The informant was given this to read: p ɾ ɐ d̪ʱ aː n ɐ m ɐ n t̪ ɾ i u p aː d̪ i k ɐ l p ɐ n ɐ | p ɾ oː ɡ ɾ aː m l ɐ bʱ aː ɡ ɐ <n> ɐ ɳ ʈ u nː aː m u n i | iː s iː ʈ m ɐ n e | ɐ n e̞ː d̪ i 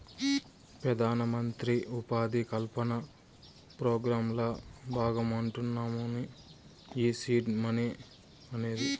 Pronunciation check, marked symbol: incorrect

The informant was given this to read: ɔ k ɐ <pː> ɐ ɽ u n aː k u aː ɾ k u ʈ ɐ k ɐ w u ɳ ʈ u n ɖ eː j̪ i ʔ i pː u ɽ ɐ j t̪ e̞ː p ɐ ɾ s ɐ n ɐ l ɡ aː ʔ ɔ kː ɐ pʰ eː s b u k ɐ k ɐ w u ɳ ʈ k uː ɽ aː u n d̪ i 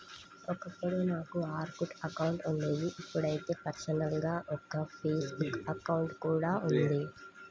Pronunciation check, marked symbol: correct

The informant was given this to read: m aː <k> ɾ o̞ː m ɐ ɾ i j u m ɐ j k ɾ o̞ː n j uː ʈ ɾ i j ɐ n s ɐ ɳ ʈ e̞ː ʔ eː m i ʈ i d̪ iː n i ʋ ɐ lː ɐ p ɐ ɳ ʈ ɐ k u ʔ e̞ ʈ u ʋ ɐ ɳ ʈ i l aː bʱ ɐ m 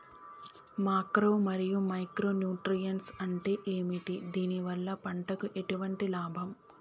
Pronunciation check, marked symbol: correct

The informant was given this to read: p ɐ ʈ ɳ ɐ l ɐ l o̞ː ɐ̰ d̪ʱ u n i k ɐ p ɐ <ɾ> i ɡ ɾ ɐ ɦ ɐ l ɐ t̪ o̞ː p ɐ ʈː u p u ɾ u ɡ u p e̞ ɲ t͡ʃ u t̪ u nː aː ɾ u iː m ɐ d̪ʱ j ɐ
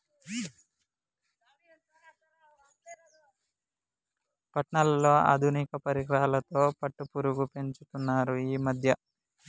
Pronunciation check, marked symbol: correct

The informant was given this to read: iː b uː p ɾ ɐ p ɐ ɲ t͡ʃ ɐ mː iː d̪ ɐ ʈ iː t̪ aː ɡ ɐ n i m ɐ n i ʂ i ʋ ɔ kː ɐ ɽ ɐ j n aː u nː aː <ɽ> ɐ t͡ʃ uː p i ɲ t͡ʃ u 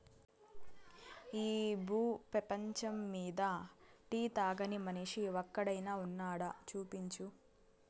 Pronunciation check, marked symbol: correct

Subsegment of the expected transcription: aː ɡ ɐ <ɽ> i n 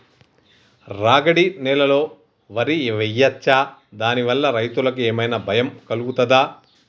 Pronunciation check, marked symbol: correct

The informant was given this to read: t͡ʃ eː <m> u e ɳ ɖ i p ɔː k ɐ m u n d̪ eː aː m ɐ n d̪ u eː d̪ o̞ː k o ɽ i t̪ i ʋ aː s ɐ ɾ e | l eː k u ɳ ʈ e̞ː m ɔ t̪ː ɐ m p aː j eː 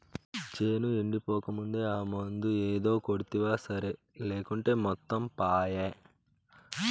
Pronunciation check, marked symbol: incorrect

